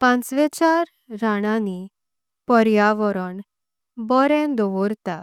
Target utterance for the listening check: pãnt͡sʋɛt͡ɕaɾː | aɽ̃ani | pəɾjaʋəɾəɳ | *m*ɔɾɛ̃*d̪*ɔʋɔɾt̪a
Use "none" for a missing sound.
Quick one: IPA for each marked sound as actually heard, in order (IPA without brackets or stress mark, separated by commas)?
b, d̪